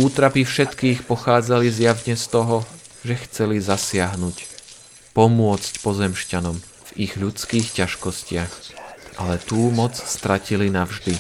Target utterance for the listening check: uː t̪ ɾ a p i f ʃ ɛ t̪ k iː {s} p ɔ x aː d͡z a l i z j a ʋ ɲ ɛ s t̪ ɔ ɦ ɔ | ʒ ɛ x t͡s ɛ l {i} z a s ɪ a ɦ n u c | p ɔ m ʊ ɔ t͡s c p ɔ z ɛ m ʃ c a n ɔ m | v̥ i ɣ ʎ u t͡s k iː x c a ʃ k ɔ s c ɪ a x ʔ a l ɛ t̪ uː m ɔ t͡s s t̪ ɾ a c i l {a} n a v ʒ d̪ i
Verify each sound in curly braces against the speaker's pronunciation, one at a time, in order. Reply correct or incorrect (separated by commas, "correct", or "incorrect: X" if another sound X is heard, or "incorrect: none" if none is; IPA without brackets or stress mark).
incorrect: x, correct, incorrect: i